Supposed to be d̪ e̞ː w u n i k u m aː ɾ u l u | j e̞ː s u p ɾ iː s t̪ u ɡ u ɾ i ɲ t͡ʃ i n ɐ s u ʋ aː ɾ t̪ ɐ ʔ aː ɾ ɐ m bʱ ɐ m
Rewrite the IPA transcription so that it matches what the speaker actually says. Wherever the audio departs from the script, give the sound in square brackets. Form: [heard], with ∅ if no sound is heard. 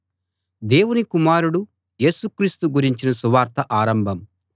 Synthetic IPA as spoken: d̪ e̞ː w u n i k u m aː ɾ u [ɽ] u | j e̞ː s u [k] ɾ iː s t̪ u ɡ u ɾ i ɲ t͡ʃ i n ɐ s u ʋ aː ɾ t̪ ɐ ʔ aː ɾ ɐ m bʱ ɐ m